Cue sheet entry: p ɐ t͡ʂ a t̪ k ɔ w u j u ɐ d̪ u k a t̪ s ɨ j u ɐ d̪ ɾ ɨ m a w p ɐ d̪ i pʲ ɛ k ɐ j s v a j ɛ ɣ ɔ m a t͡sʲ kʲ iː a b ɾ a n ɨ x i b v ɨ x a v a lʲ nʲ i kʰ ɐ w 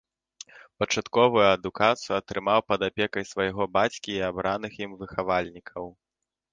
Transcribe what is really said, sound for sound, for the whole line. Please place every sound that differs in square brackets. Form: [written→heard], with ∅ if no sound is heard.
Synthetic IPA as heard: p ɐ t͡ʂ a t̪ k ɔ [w→v] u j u ɐ d̪ u k a t̪ s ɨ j u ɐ [d̪→t̪] ɾ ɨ m a w p ɐ d̪ [i→a] pʲ ɛ k ɐ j s v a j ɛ ɣ ɔ [m→b] a t͡sʲ kʲ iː a b ɾ a n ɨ x i [b→m] v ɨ x a v a lʲ nʲ i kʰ ɐ w